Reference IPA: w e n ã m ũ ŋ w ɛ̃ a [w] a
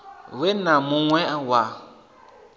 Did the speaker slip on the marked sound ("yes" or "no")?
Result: no